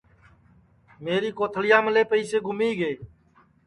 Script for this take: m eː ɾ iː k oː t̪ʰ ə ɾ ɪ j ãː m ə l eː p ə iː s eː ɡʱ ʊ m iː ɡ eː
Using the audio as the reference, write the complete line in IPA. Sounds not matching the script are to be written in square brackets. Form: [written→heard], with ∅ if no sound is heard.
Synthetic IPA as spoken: m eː ɾ iː k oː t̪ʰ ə [ɾ→l] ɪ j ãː m ə l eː p ə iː s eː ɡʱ ʊ m iː ɡ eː